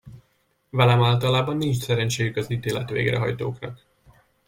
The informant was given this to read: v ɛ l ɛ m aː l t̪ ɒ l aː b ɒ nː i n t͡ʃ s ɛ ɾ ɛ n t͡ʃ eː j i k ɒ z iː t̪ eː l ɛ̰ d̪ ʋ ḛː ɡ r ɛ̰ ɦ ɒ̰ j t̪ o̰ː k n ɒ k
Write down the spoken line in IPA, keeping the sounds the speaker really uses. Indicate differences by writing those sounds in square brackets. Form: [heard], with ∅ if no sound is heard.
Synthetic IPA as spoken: v ɛ l ɛ m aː l t̪ ɒ l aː b ɒ nː i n t͡ʃ s ɛ ɾ ɛ n t͡ʃ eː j [y] k ɒ z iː t̪ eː l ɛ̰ [t̪] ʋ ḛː ɡ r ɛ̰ ɦ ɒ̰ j t̪ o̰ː k n ɒ k